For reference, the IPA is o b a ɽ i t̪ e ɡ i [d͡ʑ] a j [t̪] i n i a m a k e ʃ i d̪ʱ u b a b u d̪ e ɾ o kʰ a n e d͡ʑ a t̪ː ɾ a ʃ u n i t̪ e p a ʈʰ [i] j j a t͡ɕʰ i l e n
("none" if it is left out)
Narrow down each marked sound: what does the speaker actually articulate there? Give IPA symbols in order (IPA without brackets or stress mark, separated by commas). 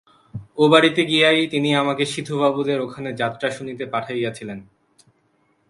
none, t̪, a